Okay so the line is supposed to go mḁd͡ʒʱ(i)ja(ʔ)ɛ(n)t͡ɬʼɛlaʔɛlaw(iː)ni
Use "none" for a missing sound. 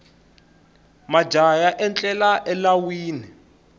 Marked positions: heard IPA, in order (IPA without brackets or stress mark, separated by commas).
a, ʔ, n, iː